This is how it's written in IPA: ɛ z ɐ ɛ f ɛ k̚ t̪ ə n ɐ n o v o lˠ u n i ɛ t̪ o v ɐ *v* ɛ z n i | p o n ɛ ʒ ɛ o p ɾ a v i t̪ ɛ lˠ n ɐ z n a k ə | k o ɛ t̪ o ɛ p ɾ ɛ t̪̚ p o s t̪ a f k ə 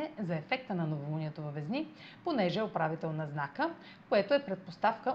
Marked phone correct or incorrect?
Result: correct